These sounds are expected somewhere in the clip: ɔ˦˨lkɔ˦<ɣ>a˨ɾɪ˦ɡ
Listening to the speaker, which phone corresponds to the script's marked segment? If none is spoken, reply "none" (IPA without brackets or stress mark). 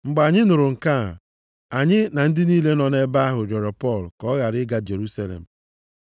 ɣ